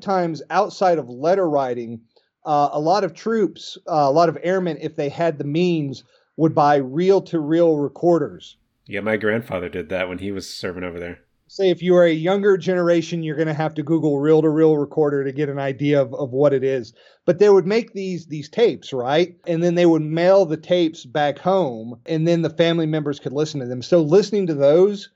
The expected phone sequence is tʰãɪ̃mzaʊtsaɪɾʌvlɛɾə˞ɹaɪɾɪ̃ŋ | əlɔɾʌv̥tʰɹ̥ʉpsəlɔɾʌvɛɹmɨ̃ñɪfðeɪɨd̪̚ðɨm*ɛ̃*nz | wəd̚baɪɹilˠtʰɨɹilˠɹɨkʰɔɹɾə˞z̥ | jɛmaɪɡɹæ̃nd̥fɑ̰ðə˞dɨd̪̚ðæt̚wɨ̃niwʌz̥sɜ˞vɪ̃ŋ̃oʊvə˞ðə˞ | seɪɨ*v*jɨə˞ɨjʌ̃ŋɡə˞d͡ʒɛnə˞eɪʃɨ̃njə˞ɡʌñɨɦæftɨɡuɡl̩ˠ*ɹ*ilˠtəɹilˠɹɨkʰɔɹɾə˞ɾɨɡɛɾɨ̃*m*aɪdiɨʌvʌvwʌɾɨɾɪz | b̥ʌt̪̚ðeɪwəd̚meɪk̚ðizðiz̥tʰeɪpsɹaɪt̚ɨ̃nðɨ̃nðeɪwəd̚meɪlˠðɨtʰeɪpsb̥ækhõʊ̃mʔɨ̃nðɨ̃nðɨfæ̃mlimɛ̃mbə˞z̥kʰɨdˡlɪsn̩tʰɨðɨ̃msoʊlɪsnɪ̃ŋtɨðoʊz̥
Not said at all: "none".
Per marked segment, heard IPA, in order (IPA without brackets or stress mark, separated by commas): ĩ, f, ɹ, n